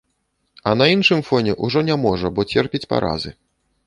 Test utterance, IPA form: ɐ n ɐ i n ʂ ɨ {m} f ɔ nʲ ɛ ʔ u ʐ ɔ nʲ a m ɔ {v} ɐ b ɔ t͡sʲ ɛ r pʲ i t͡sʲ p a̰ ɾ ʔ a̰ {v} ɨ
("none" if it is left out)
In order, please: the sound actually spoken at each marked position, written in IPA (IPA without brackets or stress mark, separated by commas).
m, ʐ, z